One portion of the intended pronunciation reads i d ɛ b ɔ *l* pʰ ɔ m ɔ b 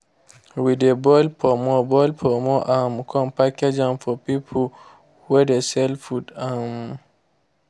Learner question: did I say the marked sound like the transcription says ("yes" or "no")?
yes